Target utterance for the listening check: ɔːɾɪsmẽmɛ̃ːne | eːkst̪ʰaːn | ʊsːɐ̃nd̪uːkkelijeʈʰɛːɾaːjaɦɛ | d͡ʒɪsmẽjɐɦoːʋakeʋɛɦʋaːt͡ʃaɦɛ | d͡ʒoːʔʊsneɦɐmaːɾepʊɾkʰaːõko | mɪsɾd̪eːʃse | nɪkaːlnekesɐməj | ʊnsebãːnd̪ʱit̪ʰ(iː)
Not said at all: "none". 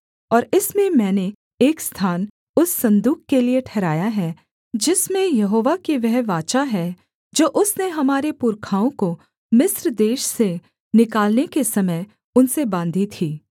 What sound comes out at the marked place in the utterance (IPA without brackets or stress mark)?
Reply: iː